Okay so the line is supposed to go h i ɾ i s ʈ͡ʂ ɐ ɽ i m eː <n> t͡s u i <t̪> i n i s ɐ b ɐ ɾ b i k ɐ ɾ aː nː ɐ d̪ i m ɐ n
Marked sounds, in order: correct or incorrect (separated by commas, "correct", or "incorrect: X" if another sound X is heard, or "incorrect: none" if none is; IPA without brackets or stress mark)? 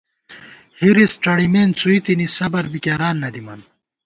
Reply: correct, correct